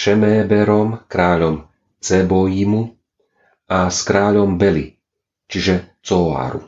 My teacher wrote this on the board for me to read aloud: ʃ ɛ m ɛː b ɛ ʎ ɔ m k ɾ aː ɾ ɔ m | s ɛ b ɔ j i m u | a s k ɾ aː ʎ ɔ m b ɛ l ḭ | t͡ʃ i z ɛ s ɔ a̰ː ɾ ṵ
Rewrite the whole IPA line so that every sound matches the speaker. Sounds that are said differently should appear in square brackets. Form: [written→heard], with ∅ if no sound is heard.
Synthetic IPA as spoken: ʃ ɛ m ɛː b ɛ [ʎ→ɾ] ɔ m k ɾ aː [ɾ→ʎ] ɔ m | [s→t͡s] ɛ b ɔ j i m u | a s k ɾ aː ʎ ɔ m b ɛ l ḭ | t͡ʃ i [z→ʒ] ɛ [s→t͡s] ɔ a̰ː ɾ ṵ